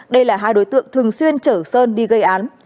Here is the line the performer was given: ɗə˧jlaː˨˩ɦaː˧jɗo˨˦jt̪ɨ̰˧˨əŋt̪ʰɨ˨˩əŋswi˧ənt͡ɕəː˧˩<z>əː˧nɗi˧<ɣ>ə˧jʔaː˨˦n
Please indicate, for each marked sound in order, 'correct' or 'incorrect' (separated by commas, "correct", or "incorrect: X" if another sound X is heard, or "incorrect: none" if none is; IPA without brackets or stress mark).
incorrect: s, correct